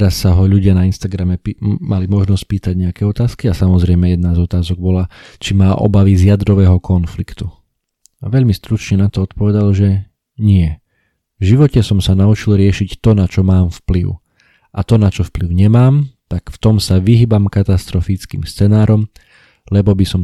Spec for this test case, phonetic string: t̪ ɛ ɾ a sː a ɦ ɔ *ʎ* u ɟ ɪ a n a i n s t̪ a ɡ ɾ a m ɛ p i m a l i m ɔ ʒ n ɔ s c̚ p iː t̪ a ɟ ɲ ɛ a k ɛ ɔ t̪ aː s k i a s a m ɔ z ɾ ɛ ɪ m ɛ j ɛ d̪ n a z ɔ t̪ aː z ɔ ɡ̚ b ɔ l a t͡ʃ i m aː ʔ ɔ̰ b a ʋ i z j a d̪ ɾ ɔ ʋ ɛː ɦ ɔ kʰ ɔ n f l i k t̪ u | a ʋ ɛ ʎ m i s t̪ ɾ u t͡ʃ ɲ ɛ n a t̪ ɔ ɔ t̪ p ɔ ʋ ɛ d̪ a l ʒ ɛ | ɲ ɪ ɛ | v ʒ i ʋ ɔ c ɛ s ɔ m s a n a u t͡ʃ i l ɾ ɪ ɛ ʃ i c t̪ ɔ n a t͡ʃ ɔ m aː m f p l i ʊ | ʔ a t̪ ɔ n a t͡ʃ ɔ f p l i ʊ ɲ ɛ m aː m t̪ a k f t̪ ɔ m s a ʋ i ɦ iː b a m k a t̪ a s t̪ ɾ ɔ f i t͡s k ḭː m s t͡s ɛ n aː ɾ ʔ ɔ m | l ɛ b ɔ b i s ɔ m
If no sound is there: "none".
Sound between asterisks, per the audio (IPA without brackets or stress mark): ʎ